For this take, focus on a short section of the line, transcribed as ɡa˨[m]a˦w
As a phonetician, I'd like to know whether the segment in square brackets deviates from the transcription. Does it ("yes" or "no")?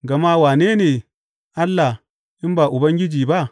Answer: no